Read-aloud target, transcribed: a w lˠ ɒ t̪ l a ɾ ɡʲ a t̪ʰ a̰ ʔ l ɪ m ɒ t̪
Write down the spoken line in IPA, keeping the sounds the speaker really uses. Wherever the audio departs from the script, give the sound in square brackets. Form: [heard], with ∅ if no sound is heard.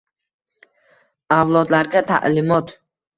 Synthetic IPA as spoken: a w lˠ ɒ [d̪] l a ɾ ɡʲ a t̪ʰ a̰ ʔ l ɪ m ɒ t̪

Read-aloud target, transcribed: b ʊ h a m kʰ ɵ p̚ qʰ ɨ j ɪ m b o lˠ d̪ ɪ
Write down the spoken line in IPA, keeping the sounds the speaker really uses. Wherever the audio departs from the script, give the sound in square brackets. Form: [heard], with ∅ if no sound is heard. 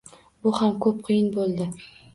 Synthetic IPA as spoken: b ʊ h a m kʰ ɵ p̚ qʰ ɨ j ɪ [n] b o lˠ d̪ ɪ

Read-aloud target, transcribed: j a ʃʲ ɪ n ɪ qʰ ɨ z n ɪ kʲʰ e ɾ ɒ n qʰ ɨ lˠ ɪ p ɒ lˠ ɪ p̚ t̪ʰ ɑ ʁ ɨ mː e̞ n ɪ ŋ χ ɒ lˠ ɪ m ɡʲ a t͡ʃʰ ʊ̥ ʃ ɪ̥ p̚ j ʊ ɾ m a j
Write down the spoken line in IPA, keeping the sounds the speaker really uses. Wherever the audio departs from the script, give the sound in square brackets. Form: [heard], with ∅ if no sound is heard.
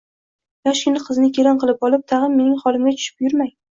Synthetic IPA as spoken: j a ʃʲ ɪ n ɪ qʰ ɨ z n ɪ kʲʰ e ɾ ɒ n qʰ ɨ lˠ ɪ p ɒ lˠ ɪ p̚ t̪ʰ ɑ ʁ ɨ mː e̞ n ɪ ŋ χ ɒ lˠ ɪ m ɡʲ a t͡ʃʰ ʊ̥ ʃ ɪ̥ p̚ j ʊ ɾ m a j

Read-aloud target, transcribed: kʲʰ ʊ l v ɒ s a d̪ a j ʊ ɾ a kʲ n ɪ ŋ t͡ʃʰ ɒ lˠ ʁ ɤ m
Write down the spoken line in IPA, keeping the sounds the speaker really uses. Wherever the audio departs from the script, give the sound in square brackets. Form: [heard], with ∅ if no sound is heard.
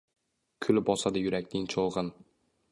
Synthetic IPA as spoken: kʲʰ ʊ l [b] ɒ s a d̪ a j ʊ ɾ a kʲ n ɪ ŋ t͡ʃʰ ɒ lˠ ʁ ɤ [n]

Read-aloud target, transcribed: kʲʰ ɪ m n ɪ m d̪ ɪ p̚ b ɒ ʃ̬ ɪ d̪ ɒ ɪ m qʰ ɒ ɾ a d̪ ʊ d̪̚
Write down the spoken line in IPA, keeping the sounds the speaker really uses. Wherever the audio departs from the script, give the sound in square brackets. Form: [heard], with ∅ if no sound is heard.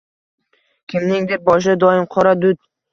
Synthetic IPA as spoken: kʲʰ ɪ m n ɪ [ŋ] d̪ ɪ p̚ b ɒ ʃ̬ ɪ d̪ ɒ ɪ m qʰ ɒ ɾ a d̪ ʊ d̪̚

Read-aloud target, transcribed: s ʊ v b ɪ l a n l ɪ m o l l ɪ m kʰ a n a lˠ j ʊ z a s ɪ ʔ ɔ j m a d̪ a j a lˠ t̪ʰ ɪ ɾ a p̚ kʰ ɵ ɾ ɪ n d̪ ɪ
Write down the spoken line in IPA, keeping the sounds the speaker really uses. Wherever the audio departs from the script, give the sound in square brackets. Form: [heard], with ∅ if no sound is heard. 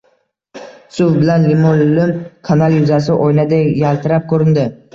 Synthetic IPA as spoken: s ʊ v b ɪ l a n l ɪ m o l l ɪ m kʰ a n a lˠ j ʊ z a s ɪ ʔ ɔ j [n] a d̪ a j a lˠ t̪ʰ ɪ ɾ a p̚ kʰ ɵ ɾ ɪ n d̪ ɪ

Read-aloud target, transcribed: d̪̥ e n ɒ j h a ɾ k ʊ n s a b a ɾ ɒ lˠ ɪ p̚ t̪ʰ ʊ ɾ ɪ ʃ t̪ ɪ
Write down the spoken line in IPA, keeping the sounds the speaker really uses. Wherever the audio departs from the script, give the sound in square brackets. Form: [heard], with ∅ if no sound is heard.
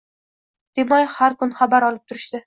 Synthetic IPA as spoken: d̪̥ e [m] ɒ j h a ɾ k ʊ n [χ] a b a ɾ ɒ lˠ ɪ p̚ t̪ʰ ʊ ɾ ɪ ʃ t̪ ɪ

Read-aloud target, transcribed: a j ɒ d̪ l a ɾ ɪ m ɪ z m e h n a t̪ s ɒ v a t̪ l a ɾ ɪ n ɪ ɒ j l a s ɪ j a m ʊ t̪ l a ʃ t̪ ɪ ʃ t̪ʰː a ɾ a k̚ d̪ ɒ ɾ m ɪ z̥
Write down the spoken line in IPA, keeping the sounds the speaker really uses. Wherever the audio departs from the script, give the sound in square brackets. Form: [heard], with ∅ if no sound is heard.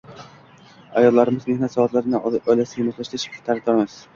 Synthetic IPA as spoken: a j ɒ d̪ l a ɾ ɪ m ɪ z m e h n a t̪ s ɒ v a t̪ l a ɾ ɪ n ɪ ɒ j l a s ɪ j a m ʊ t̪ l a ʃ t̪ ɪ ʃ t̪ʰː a ɾ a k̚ d̪ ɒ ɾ m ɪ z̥

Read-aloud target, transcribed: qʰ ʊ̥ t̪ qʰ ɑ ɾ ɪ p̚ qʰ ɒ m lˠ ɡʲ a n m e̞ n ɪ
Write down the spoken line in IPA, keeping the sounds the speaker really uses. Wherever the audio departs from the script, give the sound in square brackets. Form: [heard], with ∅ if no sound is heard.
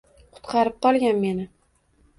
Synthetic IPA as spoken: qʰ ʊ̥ t̪ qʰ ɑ ɾ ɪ p̚ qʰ ɒ [∅] lˠ ɡʲ a n m e̞ n ɪ

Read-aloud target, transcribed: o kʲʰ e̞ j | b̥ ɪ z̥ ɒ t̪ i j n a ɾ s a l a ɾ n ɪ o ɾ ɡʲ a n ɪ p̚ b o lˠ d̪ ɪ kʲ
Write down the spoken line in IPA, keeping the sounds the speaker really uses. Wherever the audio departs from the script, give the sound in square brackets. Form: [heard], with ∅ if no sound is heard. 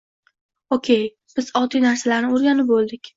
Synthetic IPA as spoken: o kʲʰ e̞ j | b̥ ɪ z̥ ɒ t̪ i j n a ɾ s a l a ɾ n ɪ o ɾ ɡʲ a n ɪ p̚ b o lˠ d̪ ɪ kʲ

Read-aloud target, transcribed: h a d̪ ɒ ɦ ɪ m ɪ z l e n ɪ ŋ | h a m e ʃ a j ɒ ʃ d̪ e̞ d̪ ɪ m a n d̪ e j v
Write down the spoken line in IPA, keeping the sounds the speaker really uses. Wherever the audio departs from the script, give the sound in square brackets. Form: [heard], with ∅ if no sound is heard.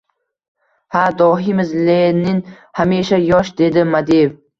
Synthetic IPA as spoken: h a d̪ ɒ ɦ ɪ m ɪ z l e n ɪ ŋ | h a m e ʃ a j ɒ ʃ d̪ e̞ d̪ ɪ m a [∅] d̪ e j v

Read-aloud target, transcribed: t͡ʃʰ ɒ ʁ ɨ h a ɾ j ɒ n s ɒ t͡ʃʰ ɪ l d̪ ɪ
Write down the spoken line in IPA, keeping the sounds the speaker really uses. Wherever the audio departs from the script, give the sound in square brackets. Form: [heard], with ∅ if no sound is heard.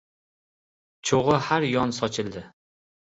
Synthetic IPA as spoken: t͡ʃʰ [o] ʁ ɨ h a ɾ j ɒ n s ɒ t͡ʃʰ ɪ l d̪ ɪ

